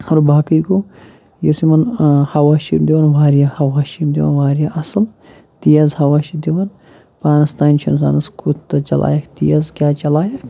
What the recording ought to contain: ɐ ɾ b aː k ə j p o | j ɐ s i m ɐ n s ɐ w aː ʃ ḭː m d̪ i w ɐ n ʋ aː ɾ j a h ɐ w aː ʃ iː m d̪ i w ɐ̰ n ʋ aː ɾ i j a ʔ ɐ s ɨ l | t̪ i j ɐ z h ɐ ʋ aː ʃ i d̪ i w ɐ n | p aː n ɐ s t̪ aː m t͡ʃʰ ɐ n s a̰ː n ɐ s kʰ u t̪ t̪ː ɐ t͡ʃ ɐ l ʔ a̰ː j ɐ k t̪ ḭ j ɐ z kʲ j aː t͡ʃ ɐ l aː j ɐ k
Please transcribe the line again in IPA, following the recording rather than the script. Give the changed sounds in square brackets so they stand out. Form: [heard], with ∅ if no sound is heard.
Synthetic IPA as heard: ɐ ɾ b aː k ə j [k] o | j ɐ s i m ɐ n [h] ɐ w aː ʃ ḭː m d̪ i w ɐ n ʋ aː ɾ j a h ɐ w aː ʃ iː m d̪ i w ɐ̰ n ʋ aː ɾ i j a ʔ ɐ s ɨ l | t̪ i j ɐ z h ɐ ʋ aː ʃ i d̪ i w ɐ n | p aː n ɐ s t̪ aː [n] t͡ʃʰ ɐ n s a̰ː n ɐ s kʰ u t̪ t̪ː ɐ t͡ʃ ɐ l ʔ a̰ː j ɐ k t̪ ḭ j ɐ z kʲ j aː t͡ʃ ɐ l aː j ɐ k